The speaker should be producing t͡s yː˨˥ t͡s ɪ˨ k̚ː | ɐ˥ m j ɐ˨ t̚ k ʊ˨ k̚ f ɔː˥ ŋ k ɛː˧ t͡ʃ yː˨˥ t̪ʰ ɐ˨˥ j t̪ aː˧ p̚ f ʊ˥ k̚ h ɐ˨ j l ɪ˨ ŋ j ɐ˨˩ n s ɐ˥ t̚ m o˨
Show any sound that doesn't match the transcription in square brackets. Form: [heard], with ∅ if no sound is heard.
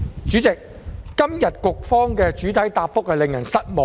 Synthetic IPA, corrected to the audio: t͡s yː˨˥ t͡s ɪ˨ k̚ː | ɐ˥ m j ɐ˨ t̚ k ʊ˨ k̚ f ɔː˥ ŋ k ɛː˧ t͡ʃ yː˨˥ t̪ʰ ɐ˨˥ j t̪ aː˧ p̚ f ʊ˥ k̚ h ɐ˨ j l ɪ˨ ŋ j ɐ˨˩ n s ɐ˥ t̚ m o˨

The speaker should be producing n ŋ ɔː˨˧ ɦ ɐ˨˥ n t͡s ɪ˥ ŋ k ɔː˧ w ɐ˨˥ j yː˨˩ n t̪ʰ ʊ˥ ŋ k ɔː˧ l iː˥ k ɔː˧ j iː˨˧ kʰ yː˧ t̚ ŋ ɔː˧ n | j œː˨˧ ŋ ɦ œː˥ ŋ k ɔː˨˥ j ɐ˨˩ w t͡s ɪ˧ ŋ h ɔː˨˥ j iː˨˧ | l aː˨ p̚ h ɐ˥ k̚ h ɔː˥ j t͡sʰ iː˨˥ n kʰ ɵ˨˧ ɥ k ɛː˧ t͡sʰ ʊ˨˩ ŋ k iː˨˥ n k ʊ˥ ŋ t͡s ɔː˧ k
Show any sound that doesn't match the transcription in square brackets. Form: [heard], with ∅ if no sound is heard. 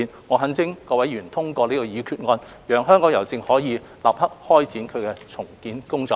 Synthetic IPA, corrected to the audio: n ŋ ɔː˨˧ ɦ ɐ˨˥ n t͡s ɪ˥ ŋ k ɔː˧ w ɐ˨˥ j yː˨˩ n t̪ʰ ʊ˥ ŋ k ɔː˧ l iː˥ k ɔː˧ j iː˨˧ kʰ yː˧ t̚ ŋ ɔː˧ n | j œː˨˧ ŋ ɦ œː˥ ŋ k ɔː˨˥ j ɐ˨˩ w t͡s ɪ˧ ŋ h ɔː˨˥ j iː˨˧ | l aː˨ p̚ h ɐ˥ k̚ h ɔː˥ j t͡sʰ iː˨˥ n kʰ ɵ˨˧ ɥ k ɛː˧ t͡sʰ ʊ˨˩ ŋ k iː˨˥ n k ʊ˥ ŋ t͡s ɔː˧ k

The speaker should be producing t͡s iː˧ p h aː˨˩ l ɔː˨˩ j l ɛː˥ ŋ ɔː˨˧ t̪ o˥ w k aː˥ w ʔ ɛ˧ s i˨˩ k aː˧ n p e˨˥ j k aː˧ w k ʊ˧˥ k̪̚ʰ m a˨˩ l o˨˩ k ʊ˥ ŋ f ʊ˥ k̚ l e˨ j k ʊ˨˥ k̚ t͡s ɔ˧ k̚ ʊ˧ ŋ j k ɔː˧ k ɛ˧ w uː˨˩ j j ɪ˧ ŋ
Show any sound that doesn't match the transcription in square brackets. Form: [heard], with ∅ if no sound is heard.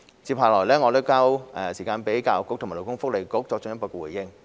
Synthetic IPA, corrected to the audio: t͡s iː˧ p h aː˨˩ l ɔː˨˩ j l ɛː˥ ŋ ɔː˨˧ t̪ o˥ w k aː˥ w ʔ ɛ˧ s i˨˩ k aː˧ n p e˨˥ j k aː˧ w k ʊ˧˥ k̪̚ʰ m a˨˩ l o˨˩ k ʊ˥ ŋ f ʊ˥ k̚ l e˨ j k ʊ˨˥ k̚ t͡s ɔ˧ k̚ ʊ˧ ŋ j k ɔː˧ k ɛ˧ w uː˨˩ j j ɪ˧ ŋ

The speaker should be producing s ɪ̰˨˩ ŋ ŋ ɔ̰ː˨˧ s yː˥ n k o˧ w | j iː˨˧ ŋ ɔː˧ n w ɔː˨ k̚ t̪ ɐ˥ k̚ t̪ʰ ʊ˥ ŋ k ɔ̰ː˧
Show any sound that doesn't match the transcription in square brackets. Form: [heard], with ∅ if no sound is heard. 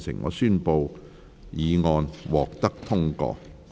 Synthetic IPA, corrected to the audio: s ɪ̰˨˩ ŋ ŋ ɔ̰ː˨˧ s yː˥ n [p] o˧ w | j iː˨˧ ŋ ɔː˧ n w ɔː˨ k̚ t̪ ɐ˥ k̚ t̪ʰ ʊ˥ ŋ k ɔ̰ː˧

